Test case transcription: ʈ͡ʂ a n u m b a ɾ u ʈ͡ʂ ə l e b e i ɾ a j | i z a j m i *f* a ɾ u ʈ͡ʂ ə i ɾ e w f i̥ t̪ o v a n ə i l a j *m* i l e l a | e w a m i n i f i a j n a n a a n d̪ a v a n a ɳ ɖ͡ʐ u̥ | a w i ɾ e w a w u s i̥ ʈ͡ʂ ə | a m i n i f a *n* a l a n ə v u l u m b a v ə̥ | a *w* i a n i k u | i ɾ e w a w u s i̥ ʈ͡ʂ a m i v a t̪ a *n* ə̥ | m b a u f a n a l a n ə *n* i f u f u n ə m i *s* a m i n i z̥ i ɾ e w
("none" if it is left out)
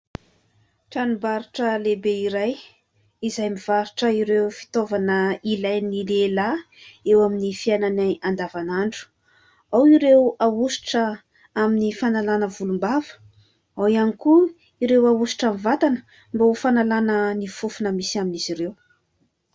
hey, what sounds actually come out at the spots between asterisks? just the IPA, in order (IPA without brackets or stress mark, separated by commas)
v, n, n, w, n, n, s